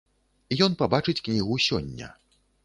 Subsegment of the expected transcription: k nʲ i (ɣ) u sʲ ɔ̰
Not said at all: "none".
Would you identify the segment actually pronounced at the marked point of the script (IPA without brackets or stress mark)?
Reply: ɣ